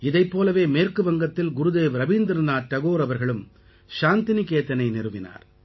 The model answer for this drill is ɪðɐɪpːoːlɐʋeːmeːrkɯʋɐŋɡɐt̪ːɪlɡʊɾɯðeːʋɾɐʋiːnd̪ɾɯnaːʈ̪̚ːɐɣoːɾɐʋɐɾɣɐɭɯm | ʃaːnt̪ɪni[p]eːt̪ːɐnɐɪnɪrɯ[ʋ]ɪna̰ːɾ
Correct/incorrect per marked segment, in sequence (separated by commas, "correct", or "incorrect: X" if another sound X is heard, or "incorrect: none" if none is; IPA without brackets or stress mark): incorrect: k, correct